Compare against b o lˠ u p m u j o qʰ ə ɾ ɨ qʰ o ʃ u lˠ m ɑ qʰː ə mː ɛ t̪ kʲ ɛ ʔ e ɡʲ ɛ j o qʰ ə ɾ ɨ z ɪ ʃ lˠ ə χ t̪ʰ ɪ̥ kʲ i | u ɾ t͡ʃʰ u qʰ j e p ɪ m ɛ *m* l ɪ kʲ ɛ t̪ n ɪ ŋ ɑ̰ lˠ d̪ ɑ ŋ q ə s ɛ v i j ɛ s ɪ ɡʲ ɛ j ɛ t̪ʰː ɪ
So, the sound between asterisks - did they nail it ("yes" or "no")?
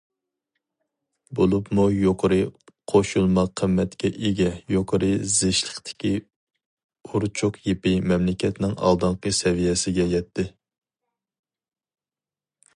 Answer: yes